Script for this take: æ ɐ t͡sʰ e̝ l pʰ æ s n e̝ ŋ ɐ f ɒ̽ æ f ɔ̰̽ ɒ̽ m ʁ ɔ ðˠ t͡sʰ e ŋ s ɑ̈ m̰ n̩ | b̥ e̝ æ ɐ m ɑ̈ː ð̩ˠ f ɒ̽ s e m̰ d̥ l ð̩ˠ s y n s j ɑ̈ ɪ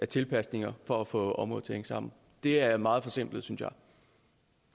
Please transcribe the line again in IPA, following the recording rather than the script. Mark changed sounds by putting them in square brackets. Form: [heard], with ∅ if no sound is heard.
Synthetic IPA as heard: æ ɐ t͡sʰ e̝ l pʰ æ s n e̝ ŋ ɐ f ɒ̽ æ f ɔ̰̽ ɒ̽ m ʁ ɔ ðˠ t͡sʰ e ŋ s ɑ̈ m̰ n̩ | [d̥] e̝ æ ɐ m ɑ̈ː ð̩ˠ f ɒ̽ s e m̰ [b̥] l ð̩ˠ s y n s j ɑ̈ ɪ